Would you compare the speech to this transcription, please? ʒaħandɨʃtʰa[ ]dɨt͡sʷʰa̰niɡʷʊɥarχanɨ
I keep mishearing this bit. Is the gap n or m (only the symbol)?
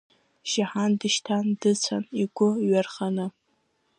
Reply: n